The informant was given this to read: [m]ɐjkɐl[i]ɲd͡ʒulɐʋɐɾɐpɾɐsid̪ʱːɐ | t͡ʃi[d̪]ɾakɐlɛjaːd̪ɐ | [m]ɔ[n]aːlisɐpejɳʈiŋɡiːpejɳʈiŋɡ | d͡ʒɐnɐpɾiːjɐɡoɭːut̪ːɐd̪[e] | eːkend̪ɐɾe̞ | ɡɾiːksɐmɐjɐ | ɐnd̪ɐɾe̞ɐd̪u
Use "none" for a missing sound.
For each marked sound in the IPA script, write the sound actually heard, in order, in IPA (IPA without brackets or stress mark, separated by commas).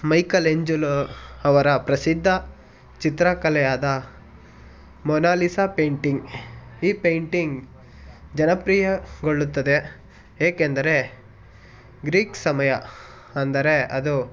m, e, t̪, m, n, e